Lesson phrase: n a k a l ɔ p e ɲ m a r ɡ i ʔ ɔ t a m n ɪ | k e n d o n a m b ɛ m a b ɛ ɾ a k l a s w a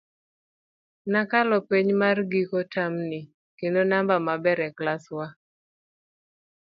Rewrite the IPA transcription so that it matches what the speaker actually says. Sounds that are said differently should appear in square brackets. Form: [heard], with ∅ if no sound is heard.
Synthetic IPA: n a k a l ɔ p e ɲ m a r ɡ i [k] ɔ t a m n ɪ | k e n d o n a m b [a] m a b ɛ ɾ [ɛ] k l a s w a